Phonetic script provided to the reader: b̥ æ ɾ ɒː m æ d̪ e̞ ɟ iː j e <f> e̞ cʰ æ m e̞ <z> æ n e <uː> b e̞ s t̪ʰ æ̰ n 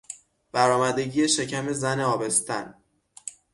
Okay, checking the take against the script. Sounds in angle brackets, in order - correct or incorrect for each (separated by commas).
incorrect, correct, incorrect